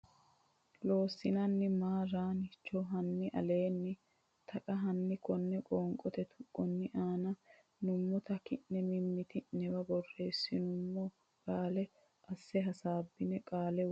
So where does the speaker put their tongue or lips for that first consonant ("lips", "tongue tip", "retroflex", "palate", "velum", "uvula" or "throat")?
tongue tip